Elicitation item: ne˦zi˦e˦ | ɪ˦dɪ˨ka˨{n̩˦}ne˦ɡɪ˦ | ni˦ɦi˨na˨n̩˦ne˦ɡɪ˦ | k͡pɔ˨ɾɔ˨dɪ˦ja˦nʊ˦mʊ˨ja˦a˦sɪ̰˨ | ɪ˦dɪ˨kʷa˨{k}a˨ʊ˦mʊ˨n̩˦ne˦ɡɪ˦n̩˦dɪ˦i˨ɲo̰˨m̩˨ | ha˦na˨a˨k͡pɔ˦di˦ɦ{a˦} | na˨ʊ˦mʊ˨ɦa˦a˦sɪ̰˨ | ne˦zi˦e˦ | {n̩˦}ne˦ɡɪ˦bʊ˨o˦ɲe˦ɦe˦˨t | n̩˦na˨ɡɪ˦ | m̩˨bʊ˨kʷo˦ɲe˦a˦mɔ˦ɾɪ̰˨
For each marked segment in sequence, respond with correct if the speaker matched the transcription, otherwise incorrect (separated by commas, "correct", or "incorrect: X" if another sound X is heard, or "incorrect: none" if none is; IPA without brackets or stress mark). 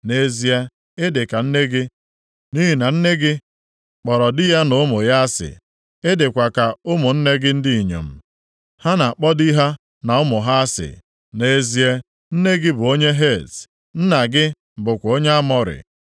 correct, correct, correct, correct